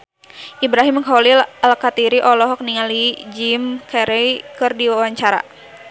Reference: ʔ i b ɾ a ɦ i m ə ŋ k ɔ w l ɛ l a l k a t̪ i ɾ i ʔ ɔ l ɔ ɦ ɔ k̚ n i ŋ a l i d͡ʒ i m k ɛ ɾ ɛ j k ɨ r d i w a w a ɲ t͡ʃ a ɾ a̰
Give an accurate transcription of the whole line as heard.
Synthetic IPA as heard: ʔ i b ɾ a ɦ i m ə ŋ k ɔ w l i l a l k a t̪ i ɾ i ʔ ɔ l ɔ ɦ ɔ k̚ n i ŋ a l i d͡ʒ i m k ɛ ɾ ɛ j k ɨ r d i w a w a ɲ t͡ʃ a ɾ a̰